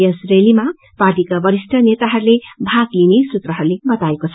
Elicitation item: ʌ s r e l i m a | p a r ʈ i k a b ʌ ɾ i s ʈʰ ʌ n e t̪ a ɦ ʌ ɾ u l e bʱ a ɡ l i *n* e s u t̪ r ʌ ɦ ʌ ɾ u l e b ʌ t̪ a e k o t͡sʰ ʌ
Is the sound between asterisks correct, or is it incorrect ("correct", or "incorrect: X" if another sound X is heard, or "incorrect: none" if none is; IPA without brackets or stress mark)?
correct